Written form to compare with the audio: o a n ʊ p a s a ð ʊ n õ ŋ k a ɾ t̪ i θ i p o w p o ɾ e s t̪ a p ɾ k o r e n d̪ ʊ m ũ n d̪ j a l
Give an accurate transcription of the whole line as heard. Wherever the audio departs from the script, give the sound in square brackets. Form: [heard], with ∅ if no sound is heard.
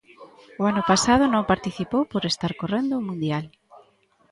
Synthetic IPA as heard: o a n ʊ p a s a ð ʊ n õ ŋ [p] a ɾ t̪ i θ i p o w p o ɾ e s t̪ a [∅] ɾ k o r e n d̪ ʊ m ũ n d̪ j a l